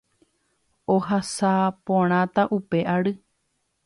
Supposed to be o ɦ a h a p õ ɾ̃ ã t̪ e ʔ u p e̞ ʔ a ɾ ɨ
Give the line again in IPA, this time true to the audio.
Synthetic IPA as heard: o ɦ a s a p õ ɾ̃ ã t̪ a ʔ u p e̞ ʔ a ɾ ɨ